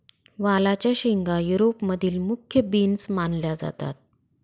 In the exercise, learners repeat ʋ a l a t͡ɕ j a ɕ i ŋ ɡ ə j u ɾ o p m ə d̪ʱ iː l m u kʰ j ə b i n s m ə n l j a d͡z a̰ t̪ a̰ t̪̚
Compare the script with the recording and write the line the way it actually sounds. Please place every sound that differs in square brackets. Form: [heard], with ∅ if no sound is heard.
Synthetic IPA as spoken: ʋ a l a t͡ɕ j a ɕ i ŋ ɡ [a] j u ɾ o p m ə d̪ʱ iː l m u kʰ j ə b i n s m [a] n l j a d͡z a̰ t̪ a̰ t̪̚